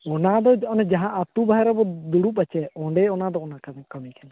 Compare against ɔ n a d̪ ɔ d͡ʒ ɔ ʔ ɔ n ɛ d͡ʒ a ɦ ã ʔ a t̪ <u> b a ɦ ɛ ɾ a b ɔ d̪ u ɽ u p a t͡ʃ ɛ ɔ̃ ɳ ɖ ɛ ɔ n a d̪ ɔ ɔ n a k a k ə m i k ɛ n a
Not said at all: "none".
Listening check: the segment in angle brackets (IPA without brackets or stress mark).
u